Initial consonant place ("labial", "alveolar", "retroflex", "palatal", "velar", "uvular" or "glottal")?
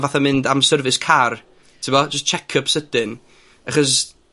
labial